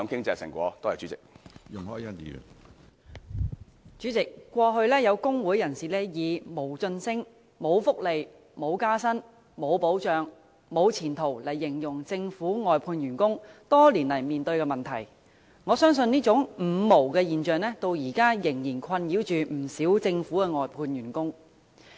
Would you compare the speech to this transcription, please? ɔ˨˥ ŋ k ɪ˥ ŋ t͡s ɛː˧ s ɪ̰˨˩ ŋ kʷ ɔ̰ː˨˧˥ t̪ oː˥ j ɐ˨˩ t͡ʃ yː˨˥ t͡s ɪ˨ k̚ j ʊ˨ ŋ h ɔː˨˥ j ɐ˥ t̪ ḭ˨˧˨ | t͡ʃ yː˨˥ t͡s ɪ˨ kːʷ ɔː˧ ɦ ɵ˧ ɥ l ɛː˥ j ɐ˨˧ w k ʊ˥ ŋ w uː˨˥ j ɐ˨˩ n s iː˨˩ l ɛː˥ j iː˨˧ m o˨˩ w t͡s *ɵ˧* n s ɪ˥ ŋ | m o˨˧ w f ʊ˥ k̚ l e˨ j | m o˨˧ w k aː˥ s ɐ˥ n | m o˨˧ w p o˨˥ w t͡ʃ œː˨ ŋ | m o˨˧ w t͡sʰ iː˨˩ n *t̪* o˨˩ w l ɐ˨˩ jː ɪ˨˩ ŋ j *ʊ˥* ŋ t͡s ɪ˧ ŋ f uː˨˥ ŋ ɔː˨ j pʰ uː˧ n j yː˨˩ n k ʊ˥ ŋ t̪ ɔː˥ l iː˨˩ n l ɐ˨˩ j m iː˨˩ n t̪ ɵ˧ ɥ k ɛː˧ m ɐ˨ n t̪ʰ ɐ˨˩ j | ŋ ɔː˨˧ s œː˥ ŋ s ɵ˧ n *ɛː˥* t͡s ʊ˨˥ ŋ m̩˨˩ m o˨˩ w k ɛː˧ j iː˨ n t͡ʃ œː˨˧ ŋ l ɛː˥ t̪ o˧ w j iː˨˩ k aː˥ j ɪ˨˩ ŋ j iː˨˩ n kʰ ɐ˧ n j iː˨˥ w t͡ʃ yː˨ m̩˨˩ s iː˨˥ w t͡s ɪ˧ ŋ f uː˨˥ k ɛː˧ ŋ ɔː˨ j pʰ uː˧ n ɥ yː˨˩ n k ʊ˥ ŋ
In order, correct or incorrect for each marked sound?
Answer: correct, incorrect: t̪ʰ, incorrect: ʊ˨˩, incorrect: iː˥

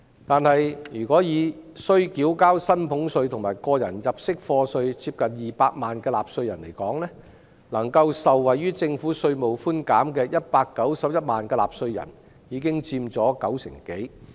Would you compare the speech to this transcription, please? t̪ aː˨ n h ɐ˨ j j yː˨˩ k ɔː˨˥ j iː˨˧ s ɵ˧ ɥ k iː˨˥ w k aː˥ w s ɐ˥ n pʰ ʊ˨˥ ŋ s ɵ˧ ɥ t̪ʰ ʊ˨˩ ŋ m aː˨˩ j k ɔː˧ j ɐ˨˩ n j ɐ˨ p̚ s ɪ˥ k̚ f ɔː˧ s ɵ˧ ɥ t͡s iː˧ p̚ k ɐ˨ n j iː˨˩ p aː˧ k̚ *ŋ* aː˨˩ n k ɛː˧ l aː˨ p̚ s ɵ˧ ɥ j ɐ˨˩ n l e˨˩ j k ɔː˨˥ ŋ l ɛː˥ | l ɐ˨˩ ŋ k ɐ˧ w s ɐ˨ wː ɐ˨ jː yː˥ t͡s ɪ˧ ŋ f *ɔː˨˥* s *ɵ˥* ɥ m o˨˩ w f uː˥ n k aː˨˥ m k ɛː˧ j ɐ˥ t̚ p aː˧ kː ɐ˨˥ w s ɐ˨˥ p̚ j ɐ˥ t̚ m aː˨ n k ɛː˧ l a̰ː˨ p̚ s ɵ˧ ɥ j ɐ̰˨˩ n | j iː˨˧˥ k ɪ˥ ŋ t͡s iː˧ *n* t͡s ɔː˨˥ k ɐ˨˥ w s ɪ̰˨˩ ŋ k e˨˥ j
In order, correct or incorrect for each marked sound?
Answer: incorrect: m, incorrect: uː˨˥, incorrect: ɵ˧, incorrect: m

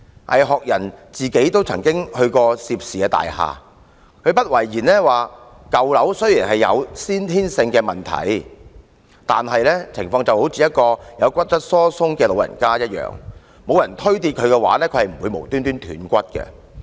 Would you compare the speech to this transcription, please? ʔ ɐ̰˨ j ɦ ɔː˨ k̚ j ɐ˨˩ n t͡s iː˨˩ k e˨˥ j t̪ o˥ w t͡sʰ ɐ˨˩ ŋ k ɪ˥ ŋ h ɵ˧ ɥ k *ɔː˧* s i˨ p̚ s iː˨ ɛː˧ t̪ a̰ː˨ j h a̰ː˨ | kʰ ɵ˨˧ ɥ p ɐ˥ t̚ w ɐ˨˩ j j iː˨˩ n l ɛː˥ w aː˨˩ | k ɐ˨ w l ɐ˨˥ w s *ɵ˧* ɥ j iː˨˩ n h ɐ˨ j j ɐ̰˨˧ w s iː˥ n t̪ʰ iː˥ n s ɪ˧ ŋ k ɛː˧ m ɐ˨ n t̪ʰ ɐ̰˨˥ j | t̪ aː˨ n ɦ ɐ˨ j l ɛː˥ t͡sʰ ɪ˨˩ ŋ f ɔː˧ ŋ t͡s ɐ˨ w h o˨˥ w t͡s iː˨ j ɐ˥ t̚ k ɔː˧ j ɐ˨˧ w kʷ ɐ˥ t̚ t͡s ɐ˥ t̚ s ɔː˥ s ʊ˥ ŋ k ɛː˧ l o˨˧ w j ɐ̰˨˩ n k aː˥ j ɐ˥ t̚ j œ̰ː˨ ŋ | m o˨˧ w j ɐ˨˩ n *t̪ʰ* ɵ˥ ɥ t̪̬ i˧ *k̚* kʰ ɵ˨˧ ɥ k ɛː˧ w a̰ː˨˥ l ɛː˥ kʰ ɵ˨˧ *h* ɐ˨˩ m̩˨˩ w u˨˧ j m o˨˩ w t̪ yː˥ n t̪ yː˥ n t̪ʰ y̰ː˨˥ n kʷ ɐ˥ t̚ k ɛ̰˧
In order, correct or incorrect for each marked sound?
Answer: correct, incorrect: ɵ˥, correct, incorrect: t̚, correct

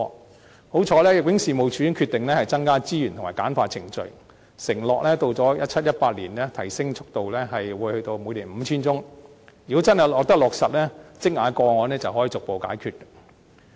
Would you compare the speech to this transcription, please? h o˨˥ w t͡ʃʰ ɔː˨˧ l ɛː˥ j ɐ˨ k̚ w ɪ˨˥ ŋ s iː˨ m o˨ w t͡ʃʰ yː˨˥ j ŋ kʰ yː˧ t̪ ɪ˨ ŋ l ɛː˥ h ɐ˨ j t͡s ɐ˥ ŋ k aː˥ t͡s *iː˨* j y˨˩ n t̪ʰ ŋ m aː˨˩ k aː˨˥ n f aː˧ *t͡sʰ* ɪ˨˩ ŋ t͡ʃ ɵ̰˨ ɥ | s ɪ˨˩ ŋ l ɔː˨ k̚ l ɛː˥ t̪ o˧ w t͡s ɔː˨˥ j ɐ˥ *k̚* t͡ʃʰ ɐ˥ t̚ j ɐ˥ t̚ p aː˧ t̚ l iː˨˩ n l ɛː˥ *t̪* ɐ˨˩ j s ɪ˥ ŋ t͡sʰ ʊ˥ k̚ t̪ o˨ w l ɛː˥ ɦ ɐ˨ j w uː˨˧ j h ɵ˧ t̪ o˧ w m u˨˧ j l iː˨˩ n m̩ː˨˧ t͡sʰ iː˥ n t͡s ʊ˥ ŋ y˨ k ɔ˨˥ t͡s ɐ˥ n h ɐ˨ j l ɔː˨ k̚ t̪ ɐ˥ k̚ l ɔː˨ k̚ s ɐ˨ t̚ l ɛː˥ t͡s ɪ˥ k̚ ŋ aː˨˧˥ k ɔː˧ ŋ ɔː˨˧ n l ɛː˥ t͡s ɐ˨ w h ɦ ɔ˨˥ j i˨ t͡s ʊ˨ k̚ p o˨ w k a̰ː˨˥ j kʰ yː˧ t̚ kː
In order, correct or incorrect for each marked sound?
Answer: incorrect: iː˥, correct, incorrect: t̚, incorrect: t̪ʰ

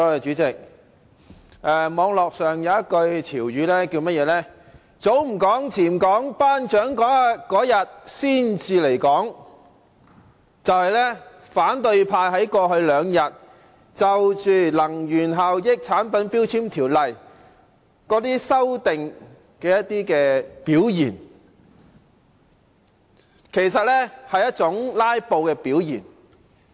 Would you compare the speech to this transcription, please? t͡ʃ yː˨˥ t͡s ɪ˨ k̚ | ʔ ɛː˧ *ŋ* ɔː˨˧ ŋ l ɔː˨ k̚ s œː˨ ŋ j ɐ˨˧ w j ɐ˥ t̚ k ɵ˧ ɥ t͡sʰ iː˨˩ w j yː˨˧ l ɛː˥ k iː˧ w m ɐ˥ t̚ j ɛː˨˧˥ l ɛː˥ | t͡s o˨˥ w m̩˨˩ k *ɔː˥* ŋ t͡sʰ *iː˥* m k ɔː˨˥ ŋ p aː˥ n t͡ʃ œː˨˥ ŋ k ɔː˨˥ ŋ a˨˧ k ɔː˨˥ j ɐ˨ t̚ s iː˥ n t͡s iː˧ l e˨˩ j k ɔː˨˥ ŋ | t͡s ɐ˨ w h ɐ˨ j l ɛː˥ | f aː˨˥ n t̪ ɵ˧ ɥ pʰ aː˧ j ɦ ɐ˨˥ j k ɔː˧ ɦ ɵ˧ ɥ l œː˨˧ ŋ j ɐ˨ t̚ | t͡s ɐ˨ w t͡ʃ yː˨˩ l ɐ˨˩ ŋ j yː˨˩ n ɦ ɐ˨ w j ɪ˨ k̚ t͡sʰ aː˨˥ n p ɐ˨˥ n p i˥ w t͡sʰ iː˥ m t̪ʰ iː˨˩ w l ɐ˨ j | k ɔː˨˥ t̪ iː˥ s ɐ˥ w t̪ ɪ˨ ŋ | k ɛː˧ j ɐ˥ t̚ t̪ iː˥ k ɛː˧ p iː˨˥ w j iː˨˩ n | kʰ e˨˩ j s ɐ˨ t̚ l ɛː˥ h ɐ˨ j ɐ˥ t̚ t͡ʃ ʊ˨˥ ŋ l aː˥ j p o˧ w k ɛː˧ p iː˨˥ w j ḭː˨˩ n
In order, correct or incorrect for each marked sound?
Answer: incorrect: m, incorrect: ɔː˨˥, incorrect: iː˨˩

